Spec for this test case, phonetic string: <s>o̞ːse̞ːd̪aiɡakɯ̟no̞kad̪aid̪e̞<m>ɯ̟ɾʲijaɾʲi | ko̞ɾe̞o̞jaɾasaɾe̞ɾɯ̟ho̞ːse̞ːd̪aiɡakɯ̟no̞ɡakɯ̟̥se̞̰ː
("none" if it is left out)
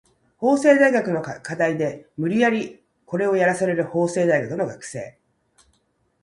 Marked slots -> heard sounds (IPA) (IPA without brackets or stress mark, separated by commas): h, m